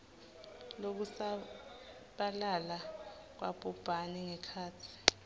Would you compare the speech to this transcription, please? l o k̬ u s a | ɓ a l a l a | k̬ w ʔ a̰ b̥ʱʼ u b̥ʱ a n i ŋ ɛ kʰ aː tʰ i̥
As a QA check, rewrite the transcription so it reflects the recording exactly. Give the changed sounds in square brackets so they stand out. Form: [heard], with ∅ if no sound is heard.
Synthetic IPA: l o k̬ u s a | ɓ a l a l a | k̬ w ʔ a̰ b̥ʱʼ u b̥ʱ a n i ŋ ɛ kʰ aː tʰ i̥